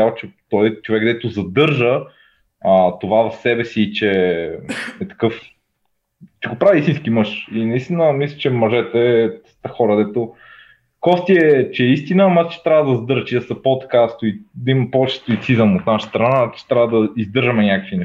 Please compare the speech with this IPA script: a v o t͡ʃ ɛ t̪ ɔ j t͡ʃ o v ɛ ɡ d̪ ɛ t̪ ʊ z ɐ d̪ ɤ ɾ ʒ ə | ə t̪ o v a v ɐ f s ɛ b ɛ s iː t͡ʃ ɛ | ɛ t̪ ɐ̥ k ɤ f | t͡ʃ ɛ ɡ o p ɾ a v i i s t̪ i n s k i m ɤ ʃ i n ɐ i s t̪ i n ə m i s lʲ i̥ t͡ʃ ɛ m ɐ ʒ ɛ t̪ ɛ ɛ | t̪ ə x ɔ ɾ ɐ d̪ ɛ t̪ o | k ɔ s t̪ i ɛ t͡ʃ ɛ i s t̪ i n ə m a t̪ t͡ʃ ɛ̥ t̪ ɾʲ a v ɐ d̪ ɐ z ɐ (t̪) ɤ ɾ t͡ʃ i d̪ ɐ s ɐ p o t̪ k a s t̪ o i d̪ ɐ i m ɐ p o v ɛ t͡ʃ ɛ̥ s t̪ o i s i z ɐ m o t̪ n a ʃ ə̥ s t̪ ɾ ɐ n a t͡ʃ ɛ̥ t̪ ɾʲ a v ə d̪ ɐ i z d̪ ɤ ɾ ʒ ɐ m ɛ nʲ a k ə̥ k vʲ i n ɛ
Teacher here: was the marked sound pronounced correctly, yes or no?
no